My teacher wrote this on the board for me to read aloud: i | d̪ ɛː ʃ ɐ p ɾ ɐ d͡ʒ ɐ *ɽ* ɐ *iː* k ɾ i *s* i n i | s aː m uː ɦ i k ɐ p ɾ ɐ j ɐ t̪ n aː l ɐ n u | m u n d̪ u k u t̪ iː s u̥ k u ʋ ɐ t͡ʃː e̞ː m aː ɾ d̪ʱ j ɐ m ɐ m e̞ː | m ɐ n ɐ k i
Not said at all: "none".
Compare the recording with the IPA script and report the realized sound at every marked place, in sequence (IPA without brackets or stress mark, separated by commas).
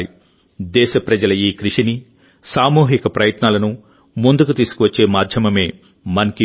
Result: l, iː, ʂ